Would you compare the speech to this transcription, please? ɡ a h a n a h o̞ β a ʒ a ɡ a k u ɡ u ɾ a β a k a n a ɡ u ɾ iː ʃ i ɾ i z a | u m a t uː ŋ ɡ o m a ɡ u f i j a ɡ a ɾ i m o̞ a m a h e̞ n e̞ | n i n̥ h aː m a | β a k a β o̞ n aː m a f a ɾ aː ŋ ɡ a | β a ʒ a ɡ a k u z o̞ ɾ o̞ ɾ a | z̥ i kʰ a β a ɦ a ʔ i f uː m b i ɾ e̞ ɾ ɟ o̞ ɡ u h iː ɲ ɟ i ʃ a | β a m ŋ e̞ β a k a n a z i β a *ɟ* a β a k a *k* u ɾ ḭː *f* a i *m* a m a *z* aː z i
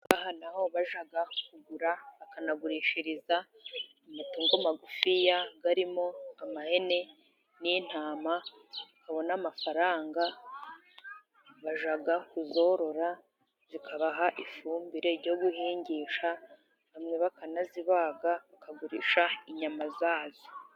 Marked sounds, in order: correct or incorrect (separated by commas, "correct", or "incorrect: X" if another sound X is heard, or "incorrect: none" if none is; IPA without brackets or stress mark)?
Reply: incorrect: ɡ, incorrect: ɡ, incorrect: ʃ, incorrect: ɲ, correct